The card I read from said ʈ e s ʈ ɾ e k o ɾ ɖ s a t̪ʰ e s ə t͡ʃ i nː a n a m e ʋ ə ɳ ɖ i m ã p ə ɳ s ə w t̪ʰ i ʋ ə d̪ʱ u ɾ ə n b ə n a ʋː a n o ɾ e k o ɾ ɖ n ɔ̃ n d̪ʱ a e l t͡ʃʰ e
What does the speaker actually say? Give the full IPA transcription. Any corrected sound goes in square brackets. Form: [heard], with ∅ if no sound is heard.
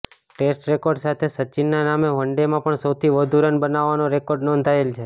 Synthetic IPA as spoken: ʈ e s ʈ ɾ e k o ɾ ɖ s a t̪ʰ e s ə t͡ʃ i nː a n a m e ʋ ə ɳ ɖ [e] m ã p ə ɳ s ə w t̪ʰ i ʋ ə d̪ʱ u ɾ ə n b ə n a ʋː a n o ɾ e k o ɾ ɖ n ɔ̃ n d̪ʱ a e l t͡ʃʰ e

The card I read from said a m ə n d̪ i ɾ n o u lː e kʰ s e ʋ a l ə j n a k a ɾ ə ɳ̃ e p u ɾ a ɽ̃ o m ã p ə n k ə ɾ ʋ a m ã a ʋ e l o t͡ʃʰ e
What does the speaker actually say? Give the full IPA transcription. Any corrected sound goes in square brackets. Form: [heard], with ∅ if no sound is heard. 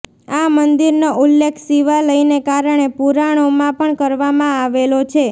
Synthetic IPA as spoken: a m ə n d̪ i ɾ n o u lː e kʰ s [i] ʋ a l ə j n [e] k a ɾ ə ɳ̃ e p u ɾ a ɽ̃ o m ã p ə [ɳ] k ə ɾ ʋ a m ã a ʋ e l o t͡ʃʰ e

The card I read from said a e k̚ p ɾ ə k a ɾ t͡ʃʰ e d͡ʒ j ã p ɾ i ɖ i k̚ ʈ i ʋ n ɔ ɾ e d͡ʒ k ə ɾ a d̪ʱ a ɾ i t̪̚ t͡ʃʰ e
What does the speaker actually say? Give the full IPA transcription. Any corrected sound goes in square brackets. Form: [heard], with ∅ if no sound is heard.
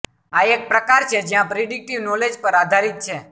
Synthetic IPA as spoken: a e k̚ p ɾ ə k a ɾ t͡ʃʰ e d͡ʒ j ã p ɾ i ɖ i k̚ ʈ i ʋ n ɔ [l] e d͡ʒ [p] ə ɾ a d̪ʱ a ɾ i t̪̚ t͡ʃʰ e

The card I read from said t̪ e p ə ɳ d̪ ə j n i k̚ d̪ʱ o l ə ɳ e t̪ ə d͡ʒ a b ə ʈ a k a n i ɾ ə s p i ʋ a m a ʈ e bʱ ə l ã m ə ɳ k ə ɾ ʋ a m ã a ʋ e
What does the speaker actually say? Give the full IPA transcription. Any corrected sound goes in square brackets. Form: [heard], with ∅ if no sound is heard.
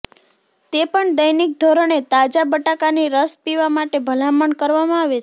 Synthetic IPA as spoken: t̪ e p ə ɳ d̪ ə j n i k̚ d̪ʱ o [ɾ] ə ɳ e t̪ [a] d͡ʒ a b ə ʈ a k a n i ɾ ə s p i ʋ a m a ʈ e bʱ ə l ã m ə ɳ k ə ɾ ʋ a m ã a ʋ e

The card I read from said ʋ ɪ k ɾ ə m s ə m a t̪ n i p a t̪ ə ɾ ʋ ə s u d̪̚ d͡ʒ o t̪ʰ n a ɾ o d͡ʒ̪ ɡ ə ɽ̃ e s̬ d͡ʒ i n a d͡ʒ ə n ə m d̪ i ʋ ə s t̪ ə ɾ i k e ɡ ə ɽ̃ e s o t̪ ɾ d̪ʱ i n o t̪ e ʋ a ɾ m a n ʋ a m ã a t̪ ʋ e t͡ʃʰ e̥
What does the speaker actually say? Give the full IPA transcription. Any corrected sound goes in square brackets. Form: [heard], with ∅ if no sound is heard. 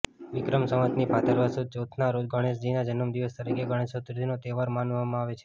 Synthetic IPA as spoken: ʋ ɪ k ɾ ə m s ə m [ə] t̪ n i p a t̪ ə ɾ ʋ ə s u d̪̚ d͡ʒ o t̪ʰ n a ɾ o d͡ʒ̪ ɡ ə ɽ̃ e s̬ d͡ʒ i n a d͡ʒ ə n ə m d̪ i ʋ ə s t̪ ə ɾ i k e ɡ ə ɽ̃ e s o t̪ ɾ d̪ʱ i n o t̪ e ʋ a ɾ m a n ʋ a m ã a [∅] ʋ e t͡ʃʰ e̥

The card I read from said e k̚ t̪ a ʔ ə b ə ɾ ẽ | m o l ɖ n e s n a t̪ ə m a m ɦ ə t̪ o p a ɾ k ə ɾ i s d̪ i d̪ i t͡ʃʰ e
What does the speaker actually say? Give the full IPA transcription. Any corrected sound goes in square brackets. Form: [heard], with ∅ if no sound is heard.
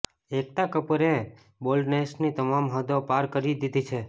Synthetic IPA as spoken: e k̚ t̪ a [k] ə [p] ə ɾ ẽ | [b] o l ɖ n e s n [i] t̪ ə m a m ɦ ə [d̪] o p a ɾ k ə ɾ i [∅] d̪ i d̪ i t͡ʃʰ e

